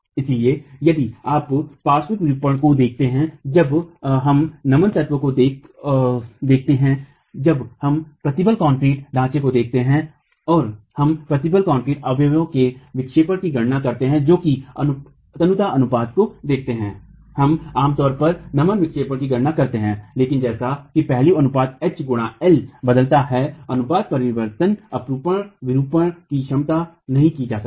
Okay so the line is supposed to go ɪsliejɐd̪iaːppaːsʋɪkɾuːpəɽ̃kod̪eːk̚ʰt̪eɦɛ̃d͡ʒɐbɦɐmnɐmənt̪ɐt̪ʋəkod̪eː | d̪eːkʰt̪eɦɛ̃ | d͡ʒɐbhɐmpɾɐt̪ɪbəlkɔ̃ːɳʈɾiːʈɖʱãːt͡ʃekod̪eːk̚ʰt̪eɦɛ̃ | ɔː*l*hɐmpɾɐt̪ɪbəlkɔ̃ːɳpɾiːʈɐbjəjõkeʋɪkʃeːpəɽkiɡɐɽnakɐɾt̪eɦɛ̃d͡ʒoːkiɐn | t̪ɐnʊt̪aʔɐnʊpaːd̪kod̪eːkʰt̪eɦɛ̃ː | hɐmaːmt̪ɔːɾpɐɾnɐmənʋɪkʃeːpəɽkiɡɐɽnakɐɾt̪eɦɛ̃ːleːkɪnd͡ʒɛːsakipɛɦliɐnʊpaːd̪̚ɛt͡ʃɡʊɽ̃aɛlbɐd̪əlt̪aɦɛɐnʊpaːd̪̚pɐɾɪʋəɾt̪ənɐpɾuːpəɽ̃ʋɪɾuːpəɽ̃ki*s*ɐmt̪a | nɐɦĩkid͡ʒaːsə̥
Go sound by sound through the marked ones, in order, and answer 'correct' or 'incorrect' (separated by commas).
incorrect, incorrect